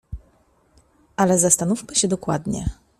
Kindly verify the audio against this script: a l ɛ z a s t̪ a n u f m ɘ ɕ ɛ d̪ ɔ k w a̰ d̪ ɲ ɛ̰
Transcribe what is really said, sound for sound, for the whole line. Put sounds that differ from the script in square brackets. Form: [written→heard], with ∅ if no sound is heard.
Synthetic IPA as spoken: a l ɛ z a s t̪ a n u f m ɘ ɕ ɛ d̪ ɔ k w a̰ d̪ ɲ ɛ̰